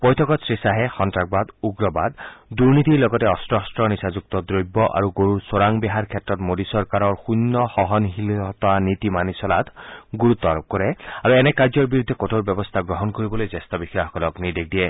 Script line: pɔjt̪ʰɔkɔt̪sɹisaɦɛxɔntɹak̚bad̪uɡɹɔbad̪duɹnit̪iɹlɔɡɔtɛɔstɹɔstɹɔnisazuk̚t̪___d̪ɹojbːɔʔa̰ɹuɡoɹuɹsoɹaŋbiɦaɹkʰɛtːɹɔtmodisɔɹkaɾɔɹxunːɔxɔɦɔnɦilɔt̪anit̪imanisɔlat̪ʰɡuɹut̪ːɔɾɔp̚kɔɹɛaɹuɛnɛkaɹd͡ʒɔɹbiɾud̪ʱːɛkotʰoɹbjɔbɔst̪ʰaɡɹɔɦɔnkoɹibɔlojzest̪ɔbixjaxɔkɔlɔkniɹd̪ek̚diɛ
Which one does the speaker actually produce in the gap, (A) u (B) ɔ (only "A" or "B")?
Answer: B